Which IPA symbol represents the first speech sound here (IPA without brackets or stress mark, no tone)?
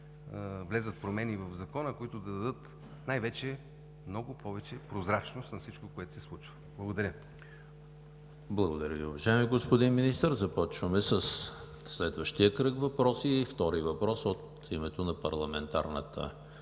v